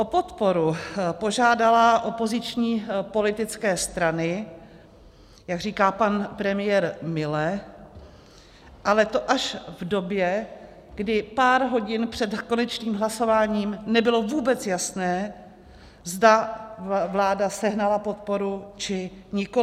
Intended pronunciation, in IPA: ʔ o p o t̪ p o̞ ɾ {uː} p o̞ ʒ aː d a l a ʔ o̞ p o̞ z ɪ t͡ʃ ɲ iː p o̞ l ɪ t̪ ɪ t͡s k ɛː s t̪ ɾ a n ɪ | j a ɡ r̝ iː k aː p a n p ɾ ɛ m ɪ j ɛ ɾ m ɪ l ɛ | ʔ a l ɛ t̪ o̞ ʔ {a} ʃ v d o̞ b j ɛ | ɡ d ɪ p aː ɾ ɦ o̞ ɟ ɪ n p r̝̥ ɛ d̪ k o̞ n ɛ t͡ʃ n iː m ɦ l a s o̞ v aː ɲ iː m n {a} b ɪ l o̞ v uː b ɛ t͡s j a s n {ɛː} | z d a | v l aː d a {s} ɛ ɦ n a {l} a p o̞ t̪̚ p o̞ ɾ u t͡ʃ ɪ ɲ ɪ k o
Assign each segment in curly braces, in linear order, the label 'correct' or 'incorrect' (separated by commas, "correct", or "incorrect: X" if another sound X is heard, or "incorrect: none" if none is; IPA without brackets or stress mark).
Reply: incorrect: u, correct, incorrect: ɛ, correct, correct, correct